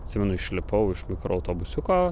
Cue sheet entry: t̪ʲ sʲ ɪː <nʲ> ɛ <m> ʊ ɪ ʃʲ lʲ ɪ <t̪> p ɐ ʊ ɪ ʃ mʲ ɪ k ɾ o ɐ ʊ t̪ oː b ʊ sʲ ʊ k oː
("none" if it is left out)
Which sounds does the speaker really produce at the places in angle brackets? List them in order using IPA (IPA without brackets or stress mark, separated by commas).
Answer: mʲ, n, none